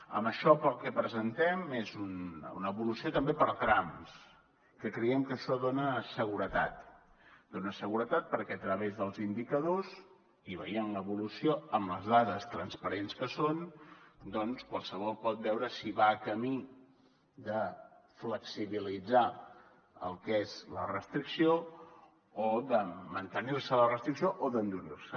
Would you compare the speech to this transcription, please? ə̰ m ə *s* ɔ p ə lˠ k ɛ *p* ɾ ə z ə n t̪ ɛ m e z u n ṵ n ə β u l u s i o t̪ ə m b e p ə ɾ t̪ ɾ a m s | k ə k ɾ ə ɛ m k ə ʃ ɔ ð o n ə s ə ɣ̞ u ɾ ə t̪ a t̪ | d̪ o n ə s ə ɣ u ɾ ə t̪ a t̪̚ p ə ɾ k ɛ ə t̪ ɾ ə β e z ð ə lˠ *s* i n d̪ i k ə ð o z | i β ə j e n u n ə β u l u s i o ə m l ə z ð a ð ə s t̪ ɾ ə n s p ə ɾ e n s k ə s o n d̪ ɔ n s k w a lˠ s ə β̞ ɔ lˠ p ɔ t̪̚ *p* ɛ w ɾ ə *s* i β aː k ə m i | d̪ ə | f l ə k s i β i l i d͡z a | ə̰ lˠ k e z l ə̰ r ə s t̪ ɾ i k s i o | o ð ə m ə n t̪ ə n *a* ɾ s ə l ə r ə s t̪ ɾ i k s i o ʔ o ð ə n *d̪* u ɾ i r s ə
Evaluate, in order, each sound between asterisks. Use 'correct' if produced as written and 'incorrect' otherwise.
incorrect: ʃ, correct, incorrect: z, incorrect: b, correct, incorrect: i, correct

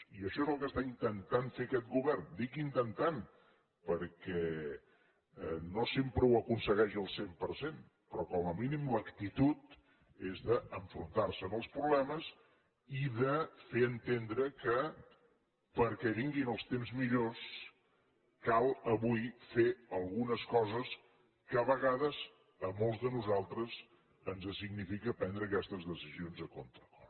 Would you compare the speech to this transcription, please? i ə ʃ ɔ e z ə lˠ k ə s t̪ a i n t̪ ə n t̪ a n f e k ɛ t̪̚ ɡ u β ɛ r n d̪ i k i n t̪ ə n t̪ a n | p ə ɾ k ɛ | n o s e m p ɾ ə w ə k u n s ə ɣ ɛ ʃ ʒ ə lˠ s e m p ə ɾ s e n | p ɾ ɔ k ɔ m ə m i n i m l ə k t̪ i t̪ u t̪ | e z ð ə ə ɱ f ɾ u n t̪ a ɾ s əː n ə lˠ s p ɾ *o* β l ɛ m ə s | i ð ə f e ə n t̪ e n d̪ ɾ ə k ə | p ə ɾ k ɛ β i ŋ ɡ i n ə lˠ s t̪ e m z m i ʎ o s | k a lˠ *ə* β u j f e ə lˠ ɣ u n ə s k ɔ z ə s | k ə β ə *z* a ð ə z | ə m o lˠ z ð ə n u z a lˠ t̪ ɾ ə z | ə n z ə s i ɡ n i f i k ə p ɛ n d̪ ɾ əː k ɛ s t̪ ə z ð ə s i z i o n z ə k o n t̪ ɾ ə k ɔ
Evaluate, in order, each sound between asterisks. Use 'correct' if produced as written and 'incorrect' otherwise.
incorrect: u, correct, incorrect: ɣ

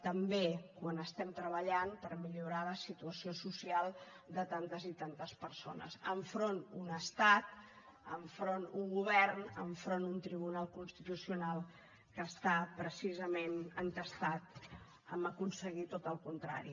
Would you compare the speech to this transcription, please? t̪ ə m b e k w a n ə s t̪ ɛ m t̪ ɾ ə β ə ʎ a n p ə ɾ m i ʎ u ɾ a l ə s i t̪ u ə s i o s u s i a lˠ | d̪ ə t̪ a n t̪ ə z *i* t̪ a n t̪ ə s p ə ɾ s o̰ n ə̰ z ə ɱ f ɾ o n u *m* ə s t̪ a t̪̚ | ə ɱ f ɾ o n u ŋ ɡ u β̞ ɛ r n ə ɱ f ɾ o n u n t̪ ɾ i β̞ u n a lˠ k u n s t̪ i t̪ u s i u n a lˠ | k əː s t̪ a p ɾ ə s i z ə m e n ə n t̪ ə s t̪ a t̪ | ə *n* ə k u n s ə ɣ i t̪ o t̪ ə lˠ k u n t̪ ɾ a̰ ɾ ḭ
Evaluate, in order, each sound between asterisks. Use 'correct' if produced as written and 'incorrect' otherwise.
correct, incorrect: n, incorrect: m

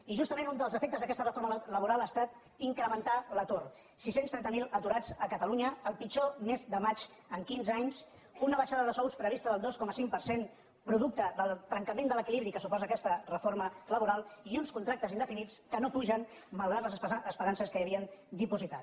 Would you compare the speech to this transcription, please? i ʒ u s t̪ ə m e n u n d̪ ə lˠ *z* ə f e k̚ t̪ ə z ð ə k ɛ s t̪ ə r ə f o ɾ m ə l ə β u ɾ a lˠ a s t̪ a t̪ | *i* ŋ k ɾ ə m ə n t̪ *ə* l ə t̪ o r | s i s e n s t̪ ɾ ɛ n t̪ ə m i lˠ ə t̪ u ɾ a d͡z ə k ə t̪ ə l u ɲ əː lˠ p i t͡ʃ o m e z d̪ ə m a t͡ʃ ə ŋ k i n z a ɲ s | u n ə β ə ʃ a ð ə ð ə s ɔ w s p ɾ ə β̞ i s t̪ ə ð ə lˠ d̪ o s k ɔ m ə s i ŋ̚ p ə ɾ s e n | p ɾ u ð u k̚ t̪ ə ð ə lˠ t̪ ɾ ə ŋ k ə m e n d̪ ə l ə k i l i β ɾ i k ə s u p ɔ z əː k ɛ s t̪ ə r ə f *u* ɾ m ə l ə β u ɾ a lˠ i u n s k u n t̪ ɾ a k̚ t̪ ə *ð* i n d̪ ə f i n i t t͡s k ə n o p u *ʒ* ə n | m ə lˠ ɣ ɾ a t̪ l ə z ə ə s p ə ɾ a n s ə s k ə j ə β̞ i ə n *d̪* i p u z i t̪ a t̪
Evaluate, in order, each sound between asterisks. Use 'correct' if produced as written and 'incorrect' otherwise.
correct, correct, incorrect: a, incorrect: o, incorrect: z, correct, correct

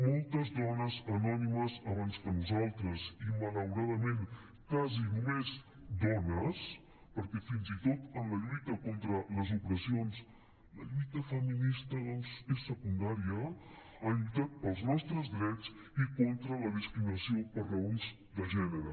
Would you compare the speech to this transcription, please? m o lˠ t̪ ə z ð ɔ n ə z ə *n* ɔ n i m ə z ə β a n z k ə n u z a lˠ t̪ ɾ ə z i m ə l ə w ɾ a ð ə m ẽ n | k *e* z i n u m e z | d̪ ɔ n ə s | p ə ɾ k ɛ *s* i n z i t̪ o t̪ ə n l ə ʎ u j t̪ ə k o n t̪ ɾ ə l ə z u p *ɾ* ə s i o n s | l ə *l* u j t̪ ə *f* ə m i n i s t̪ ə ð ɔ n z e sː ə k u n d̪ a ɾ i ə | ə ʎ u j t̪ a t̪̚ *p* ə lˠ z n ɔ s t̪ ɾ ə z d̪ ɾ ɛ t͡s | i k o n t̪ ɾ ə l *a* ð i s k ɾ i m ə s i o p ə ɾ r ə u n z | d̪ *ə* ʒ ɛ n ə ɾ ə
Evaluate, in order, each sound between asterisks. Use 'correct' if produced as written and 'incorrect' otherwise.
correct, incorrect: a, incorrect: f, correct, incorrect: ʎ, correct, correct, incorrect: ə, correct

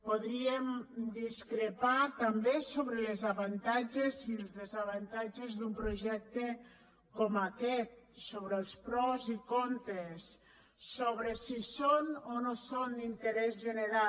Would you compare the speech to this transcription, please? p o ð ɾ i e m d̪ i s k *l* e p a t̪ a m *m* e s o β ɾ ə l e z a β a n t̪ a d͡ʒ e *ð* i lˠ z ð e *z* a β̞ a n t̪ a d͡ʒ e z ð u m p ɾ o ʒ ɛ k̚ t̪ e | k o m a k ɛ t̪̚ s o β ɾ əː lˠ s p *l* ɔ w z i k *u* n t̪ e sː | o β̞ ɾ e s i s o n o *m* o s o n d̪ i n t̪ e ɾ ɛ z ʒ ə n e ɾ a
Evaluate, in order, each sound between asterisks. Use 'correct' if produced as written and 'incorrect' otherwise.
incorrect: ɾ, incorrect: b, incorrect: z, correct, incorrect: ɾ, incorrect: o, incorrect: n

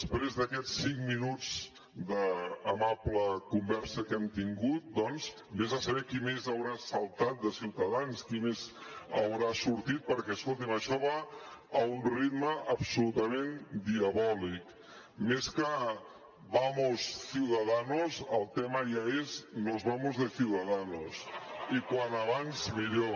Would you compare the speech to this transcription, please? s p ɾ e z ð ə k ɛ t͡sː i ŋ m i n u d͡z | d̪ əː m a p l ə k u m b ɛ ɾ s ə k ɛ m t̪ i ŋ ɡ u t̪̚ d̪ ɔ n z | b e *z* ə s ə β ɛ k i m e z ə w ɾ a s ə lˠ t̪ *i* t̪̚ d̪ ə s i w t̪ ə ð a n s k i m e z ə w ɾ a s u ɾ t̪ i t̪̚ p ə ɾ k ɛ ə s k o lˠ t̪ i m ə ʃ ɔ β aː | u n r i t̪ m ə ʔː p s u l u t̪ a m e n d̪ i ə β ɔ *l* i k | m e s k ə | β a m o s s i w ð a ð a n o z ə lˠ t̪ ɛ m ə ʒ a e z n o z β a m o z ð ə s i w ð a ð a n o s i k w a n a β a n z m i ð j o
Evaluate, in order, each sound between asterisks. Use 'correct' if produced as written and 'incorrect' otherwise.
correct, incorrect: a, correct

